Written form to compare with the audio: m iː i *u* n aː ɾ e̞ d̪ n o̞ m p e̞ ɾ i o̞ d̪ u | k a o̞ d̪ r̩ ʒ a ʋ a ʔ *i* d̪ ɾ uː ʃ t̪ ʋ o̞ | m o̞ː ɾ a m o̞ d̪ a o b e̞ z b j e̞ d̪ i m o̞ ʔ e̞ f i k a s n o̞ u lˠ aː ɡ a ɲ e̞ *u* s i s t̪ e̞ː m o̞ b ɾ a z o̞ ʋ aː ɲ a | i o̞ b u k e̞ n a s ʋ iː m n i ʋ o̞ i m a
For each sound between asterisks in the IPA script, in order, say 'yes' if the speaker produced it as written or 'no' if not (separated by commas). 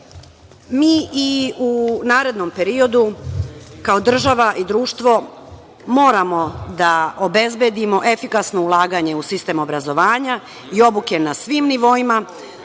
yes, yes, yes